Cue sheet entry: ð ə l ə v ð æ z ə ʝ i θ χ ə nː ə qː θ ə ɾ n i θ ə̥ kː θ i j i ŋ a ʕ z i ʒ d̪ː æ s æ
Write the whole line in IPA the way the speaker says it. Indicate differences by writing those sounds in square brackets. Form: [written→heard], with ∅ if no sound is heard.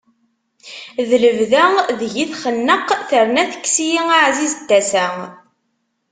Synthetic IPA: ð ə l ə v ð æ [z→ð] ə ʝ i θ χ ə nː ə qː θ ə ɾ n [i→æ] θ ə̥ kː [θ→s] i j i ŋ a ʕ z i [ʒ→z] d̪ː æ s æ